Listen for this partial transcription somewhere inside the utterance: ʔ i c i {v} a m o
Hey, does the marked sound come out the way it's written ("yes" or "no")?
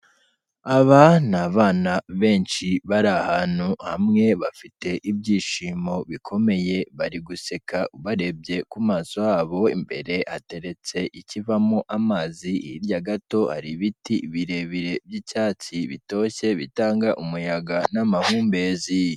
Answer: yes